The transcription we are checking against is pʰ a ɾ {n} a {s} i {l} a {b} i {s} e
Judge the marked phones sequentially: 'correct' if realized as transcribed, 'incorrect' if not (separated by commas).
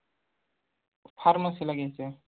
incorrect, correct, correct, incorrect, correct